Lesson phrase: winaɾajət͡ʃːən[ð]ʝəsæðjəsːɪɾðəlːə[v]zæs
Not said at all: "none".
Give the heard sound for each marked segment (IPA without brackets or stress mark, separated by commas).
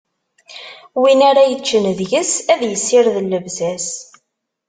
ð, v